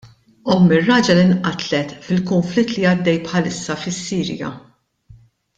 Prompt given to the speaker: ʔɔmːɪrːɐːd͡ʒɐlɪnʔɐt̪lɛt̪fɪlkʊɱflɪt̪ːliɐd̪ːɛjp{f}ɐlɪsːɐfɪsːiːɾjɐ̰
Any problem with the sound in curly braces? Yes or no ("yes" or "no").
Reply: yes